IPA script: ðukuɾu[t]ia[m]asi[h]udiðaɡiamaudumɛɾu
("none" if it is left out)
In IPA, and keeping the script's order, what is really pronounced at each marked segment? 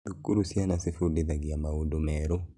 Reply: s, n, f

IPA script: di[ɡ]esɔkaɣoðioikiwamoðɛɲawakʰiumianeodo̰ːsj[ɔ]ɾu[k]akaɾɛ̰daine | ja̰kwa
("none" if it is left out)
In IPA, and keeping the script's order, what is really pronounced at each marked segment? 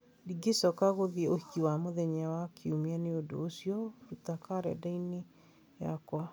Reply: ɡ, ɔ, t

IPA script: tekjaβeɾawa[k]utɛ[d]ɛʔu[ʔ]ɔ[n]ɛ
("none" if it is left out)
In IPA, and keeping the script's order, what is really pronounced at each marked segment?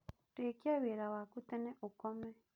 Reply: k, n, k, m

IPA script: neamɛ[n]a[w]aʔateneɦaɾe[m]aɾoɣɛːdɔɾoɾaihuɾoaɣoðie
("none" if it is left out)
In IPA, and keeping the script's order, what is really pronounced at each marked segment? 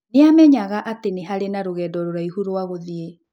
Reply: ɲ, ɣ, n

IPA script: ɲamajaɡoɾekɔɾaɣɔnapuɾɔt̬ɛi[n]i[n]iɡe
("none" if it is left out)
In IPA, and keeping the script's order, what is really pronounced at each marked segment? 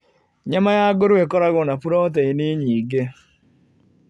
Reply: n, ɲ

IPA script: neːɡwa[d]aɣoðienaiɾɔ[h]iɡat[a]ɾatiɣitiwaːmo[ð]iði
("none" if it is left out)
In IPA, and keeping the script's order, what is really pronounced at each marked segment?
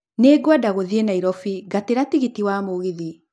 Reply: d, f, e, ɣ

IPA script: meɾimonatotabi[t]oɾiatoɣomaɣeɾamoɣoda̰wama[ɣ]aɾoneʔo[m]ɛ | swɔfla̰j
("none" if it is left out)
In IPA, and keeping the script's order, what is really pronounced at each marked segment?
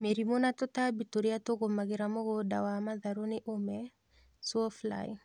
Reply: t, ð, m

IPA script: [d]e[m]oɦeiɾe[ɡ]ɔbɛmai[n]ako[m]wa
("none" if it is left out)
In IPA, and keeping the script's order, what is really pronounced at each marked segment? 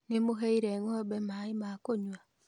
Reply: n, m, ŋ, m, ɲ

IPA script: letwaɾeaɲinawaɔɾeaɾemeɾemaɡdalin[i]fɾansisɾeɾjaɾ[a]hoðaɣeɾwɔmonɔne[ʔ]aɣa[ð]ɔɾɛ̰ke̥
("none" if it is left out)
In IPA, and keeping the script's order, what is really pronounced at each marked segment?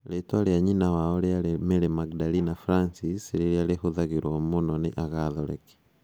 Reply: a, e, ʔ, ð

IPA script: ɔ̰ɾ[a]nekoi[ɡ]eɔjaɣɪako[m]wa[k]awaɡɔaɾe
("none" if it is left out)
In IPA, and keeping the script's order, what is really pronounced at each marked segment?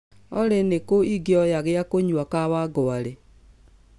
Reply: e, ɡ, ɲ, k

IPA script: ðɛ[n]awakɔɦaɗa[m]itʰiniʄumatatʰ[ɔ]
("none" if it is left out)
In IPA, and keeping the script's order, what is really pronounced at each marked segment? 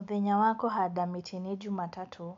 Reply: ɲ, m, u

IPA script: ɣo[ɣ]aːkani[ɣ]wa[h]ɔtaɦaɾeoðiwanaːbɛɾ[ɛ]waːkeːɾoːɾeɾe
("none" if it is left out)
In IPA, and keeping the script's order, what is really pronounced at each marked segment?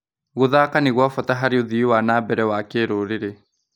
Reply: ð, ɣ, f, ɛ

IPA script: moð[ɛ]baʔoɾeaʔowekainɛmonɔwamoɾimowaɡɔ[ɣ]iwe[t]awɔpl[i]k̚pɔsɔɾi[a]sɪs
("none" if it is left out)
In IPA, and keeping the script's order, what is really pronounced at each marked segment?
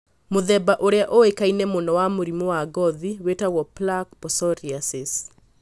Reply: ɛ, ð, t, a, a

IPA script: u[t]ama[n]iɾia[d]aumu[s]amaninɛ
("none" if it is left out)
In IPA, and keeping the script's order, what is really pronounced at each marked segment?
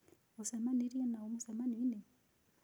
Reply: s, n, n, s

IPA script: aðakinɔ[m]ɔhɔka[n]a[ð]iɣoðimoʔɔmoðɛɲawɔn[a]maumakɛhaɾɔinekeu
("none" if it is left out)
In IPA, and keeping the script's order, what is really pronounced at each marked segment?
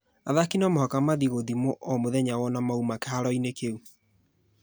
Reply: m, m, ð, a

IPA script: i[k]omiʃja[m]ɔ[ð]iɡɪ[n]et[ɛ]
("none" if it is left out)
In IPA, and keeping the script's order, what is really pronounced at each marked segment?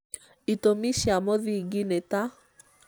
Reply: t, m, ð, n, a

